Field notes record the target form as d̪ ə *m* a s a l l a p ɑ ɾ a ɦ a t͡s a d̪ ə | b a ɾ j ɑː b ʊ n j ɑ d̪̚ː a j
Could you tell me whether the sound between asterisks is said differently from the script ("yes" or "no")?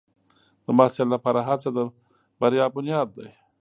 no